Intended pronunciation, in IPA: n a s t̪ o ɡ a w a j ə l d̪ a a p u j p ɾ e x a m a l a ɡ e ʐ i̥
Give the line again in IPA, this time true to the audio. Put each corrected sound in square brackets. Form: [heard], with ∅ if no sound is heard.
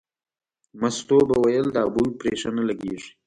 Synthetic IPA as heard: [m] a s t̪ o [b] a w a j ə l d̪ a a [b] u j p ɾ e [ʂ] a [n] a l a ɡ e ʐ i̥